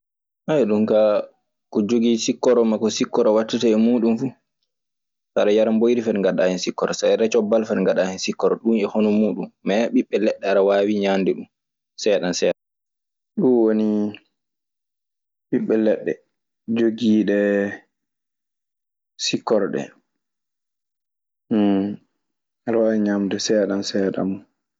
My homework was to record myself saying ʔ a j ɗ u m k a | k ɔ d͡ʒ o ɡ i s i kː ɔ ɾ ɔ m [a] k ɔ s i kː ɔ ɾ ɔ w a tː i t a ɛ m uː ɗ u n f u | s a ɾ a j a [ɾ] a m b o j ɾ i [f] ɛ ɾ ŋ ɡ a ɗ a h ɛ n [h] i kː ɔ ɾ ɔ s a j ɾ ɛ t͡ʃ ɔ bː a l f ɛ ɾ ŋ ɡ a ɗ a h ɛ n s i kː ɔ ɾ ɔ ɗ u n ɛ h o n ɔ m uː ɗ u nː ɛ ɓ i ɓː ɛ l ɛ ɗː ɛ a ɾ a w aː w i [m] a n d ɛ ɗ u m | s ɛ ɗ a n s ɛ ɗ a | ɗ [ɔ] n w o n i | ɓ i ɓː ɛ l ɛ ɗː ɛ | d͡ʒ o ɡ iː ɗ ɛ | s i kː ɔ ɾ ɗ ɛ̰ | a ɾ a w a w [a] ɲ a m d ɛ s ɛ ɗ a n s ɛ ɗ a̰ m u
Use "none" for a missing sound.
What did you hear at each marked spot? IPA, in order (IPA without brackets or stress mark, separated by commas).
a, ɾ, f, s, ɲ, u, i